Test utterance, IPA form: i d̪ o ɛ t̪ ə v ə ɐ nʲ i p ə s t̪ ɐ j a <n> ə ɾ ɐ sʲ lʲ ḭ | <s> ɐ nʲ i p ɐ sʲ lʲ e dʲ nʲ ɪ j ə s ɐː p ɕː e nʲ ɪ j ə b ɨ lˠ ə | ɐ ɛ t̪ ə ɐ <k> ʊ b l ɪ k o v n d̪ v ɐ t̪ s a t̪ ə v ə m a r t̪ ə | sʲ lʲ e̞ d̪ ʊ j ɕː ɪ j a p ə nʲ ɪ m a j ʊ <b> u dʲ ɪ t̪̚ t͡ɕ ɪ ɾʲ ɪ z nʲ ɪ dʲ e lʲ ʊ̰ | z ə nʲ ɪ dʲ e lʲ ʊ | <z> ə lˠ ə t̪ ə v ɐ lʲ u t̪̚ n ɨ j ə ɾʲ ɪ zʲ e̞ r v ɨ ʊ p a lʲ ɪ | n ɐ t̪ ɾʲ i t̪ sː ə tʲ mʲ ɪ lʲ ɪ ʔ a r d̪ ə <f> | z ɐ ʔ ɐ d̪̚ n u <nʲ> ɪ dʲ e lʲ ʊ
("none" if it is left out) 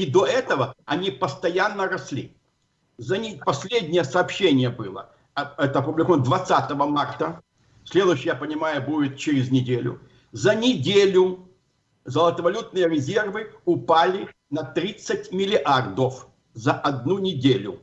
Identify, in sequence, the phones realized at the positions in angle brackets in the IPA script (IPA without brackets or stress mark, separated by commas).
nː, z, p, b, z, f, nʲ